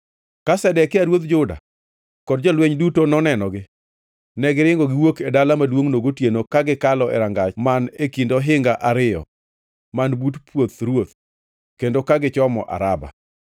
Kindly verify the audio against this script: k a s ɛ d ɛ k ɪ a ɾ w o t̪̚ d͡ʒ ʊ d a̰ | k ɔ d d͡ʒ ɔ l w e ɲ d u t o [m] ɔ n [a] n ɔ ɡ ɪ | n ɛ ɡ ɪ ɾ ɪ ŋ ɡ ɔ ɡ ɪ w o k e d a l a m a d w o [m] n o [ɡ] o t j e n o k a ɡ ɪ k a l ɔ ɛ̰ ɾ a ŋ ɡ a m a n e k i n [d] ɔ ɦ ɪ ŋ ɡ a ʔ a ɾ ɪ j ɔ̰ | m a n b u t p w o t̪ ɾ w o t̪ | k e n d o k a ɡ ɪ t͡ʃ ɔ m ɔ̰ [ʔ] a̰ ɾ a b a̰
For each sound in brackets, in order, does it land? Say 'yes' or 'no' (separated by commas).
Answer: no, no, no, yes, yes, yes